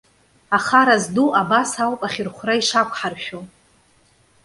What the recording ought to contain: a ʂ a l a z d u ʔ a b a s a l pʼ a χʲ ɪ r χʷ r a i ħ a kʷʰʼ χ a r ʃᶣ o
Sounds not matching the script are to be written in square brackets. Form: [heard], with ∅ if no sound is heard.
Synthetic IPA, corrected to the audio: a [χ] a [ɾ] a z d u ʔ a b a s a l pʼ a χʲ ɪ r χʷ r a i [ʂ] a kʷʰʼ [ħ] a r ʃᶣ o